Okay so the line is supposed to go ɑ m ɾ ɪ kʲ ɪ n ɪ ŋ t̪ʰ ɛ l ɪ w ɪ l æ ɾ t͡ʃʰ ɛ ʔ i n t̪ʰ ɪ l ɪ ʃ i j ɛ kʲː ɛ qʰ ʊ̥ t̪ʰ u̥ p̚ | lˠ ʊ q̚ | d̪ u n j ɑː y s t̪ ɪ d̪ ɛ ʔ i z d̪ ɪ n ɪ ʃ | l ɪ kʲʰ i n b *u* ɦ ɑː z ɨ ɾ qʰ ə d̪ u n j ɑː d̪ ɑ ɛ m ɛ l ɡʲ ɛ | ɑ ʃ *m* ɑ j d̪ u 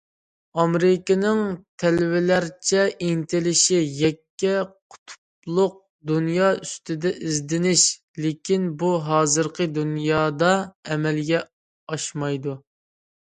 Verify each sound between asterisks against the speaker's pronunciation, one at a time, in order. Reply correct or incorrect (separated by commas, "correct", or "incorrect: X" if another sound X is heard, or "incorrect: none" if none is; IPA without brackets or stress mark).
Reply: correct, correct